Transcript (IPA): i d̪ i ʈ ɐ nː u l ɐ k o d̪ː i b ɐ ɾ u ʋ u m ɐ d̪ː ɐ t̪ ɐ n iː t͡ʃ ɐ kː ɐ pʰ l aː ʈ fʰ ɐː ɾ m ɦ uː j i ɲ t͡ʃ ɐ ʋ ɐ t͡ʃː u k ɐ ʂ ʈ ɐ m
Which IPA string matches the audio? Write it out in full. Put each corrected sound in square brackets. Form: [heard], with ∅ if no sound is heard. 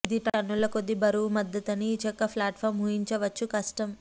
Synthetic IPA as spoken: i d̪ i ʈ ɐ nː u l ɐ k o d̪ː i b ɐ ɾ u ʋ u m ɐ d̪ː ɐ t̪ ɐ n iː t͡ʃ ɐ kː ɐ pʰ l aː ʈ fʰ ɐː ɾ m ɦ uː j i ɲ t͡ʃ ɐ ʋ ɐ t͡ʃː u k ɐ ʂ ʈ ɐ m